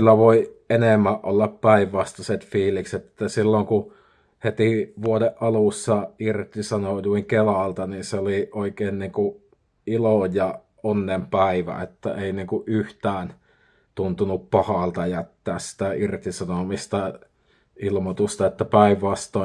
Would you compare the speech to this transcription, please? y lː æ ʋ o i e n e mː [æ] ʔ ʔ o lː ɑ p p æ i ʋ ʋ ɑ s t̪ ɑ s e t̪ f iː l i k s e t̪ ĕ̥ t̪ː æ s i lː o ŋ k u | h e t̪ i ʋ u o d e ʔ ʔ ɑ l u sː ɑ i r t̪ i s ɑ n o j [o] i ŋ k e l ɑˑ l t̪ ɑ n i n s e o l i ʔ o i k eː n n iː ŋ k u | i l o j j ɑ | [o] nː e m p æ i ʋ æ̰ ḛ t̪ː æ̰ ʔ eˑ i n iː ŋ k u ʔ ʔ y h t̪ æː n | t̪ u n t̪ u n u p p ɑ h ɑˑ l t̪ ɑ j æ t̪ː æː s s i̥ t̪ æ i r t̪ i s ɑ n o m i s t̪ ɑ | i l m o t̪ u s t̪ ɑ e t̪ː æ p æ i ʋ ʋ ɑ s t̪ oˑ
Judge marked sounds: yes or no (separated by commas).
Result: yes, no, yes